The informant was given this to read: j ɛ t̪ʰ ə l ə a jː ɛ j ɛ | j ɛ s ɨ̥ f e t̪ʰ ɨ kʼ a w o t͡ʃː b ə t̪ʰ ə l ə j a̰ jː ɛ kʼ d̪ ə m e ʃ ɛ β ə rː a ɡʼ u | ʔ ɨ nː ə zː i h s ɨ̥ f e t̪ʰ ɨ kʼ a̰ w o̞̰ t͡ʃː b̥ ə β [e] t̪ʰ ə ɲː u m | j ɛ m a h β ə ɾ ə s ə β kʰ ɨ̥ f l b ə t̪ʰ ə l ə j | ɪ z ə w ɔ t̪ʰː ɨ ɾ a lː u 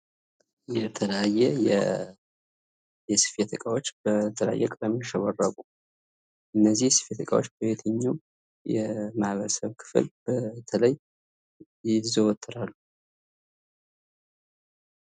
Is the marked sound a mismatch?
no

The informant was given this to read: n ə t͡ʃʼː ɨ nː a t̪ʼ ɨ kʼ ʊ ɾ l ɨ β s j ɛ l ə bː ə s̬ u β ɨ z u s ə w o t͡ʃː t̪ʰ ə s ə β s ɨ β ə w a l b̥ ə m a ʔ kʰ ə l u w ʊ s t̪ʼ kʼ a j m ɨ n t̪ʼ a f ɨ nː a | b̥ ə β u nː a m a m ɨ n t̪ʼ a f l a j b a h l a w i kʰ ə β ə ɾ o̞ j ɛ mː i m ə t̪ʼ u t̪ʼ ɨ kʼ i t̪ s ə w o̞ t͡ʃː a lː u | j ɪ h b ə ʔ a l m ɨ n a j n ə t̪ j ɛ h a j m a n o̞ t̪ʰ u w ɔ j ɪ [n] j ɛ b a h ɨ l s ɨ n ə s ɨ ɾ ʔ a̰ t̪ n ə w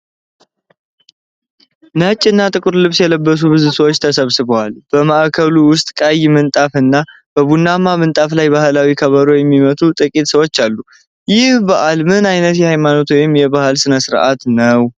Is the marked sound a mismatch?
yes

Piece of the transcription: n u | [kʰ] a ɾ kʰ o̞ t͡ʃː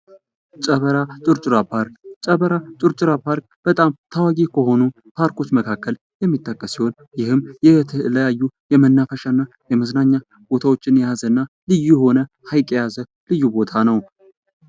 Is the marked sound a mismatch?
yes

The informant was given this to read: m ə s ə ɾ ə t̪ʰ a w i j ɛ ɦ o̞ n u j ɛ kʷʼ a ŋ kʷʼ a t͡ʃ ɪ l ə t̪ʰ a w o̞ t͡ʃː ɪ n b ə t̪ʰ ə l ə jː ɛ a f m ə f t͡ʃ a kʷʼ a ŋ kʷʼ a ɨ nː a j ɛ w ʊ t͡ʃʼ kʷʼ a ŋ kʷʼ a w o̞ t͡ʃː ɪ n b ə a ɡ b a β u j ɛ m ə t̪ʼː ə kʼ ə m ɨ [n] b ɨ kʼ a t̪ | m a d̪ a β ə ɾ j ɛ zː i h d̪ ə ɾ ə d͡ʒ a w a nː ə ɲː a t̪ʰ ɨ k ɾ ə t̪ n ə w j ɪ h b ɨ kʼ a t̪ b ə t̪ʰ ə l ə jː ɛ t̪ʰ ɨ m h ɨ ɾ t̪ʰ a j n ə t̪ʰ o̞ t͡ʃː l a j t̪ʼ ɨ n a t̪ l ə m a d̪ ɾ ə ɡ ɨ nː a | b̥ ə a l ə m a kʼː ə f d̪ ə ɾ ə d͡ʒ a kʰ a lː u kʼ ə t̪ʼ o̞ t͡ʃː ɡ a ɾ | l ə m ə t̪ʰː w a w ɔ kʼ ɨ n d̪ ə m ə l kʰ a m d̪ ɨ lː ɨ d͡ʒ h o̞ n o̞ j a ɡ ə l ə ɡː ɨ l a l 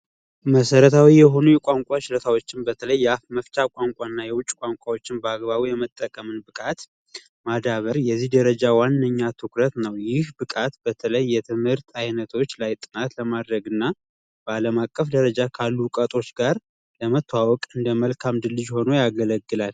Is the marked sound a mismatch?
no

